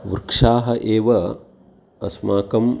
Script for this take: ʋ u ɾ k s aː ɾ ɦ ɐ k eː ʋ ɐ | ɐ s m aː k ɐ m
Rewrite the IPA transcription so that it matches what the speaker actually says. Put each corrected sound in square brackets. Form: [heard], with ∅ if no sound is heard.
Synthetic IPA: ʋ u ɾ k [ʂ] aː [∅] ɦ ɐ [ʔ] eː ʋ ɐ | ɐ s m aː k ɐ m